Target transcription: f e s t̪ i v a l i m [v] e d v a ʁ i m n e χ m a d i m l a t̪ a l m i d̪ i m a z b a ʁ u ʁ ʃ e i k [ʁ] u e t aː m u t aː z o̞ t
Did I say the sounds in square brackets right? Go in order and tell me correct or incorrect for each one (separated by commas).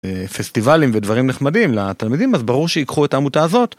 correct, incorrect